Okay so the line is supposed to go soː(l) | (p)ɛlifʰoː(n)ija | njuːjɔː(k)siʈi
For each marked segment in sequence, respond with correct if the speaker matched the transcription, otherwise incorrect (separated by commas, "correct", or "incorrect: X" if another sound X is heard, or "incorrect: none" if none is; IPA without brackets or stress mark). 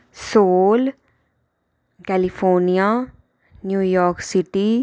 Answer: correct, incorrect: k, correct, correct